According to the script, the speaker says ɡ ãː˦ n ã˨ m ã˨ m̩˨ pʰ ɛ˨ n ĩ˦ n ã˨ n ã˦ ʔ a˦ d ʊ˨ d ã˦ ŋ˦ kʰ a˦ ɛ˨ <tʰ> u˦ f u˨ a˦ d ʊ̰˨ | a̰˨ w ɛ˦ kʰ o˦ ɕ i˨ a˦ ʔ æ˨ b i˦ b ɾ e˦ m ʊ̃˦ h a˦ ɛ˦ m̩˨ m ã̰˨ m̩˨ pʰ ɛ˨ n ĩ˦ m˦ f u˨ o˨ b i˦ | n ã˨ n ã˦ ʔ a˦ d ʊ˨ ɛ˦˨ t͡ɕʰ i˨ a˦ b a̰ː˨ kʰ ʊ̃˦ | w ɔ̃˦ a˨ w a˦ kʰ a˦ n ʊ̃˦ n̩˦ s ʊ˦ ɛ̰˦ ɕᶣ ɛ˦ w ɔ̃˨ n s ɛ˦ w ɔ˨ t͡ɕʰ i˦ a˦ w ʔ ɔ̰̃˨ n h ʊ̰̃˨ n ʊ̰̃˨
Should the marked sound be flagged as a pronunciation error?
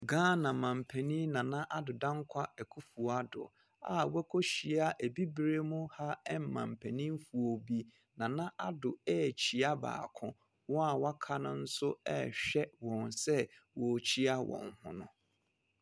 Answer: yes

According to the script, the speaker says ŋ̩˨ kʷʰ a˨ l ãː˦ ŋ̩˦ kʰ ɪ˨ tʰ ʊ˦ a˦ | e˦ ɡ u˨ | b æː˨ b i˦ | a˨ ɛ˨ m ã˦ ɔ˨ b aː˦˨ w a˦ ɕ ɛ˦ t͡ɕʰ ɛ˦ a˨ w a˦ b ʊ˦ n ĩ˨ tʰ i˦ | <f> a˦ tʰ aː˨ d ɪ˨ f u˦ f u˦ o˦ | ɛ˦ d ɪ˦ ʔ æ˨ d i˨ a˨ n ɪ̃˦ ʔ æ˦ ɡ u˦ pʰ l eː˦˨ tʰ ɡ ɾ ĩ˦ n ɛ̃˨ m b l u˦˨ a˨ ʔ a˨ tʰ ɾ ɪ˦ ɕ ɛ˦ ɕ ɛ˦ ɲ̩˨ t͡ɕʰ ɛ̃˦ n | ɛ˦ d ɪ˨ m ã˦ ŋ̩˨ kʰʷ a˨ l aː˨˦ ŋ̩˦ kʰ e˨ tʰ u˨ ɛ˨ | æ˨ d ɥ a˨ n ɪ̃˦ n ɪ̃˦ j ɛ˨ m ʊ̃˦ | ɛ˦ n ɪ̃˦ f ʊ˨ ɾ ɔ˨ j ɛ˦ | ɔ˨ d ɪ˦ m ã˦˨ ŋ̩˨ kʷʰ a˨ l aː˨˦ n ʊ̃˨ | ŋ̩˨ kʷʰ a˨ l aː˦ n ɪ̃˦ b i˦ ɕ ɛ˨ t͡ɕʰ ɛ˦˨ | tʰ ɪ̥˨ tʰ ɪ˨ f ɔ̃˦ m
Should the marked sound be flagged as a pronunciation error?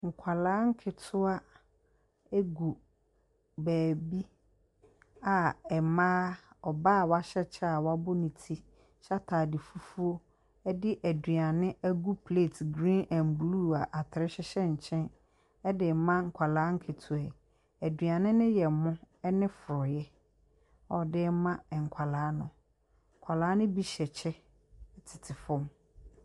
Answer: yes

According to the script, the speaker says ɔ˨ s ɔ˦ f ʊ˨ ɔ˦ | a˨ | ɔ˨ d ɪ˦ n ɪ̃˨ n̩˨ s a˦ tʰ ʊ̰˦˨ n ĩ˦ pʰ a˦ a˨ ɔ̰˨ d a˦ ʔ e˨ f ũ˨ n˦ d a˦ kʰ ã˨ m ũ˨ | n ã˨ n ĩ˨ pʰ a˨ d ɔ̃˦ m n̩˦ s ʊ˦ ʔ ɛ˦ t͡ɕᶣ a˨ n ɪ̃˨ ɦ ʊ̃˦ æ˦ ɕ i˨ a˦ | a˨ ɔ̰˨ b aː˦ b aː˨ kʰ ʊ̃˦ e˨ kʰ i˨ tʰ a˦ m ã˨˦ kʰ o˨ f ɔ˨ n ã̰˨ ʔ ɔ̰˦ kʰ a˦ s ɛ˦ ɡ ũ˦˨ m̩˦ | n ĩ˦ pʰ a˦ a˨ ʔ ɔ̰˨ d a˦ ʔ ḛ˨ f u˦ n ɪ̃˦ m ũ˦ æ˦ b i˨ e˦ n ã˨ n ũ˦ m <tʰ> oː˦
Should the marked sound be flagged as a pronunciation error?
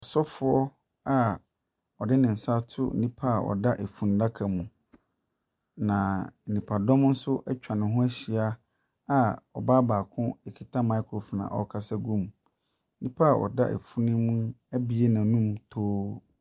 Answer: no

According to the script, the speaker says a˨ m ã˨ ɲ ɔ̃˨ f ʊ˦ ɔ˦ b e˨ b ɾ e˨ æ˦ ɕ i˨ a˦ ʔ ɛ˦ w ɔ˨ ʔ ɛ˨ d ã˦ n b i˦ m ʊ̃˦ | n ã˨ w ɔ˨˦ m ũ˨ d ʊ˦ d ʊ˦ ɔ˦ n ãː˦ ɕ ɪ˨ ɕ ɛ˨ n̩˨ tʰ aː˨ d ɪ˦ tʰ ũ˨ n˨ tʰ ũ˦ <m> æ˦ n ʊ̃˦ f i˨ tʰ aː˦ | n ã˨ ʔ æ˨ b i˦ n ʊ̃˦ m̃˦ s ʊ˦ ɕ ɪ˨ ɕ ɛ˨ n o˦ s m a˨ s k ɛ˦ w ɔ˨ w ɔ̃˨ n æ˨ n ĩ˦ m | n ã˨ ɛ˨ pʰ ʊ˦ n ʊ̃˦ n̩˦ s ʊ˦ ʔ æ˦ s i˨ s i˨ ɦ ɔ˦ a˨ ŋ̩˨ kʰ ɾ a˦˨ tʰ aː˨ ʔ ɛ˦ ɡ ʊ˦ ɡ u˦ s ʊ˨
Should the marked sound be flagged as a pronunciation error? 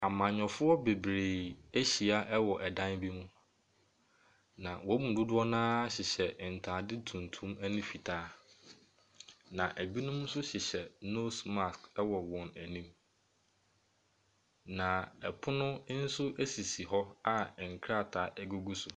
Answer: no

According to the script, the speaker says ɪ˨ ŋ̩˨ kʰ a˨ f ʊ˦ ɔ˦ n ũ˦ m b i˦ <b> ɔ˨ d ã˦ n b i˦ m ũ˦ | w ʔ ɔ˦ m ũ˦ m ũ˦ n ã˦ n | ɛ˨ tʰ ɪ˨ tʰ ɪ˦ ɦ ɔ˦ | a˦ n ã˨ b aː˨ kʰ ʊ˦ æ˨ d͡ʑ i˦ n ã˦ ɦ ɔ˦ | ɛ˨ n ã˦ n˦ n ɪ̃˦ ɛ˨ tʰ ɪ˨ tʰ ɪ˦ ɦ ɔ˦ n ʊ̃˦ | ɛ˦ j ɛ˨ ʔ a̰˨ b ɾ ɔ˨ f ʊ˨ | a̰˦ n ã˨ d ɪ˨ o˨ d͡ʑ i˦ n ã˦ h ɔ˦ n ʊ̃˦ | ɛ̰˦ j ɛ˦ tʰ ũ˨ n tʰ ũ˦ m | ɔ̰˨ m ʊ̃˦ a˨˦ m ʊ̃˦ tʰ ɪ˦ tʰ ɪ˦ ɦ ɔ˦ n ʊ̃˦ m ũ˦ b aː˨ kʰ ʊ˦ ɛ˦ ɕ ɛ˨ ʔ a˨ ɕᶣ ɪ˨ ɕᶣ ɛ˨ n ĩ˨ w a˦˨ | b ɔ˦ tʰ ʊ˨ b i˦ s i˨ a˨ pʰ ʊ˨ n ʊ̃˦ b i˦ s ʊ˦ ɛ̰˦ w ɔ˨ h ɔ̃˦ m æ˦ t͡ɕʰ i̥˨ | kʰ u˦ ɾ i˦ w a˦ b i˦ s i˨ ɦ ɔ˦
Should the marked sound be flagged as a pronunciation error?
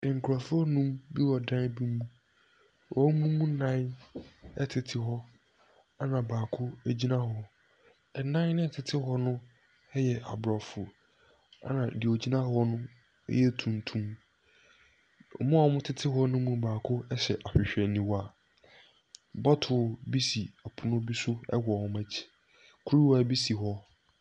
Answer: yes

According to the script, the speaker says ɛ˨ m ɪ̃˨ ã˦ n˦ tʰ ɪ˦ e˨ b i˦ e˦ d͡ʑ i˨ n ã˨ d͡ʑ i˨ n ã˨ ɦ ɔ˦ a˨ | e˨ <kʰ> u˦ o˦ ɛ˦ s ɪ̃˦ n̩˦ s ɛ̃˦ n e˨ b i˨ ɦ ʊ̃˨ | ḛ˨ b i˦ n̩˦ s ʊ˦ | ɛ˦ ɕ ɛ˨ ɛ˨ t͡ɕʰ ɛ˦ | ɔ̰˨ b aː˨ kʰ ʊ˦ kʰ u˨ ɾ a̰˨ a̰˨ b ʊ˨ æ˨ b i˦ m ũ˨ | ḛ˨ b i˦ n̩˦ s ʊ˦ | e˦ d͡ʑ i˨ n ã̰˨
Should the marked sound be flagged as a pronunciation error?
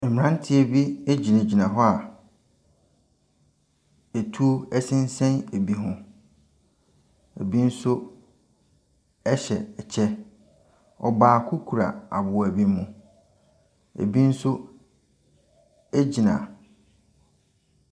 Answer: yes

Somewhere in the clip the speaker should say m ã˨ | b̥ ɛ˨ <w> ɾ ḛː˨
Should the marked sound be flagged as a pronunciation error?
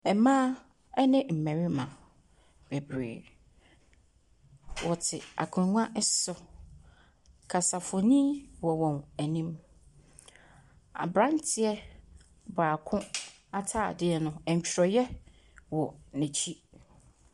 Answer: yes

